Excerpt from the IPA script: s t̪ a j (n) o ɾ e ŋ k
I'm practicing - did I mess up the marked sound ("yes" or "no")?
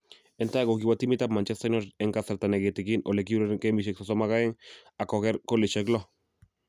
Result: no